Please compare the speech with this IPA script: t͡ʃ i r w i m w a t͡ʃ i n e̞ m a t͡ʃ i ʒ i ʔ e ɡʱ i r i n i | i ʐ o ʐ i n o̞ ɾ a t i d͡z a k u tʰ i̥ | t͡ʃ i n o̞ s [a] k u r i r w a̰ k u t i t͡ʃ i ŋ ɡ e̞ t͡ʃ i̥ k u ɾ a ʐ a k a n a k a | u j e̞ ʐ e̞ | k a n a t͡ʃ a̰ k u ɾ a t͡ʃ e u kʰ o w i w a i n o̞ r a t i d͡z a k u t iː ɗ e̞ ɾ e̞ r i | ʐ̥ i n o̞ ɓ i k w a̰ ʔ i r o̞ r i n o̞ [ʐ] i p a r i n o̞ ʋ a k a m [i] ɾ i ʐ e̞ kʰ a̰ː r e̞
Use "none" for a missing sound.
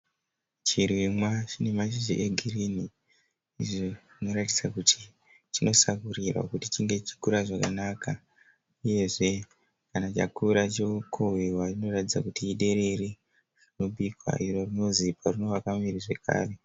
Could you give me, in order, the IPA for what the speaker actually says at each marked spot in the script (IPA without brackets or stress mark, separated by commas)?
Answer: a, z, i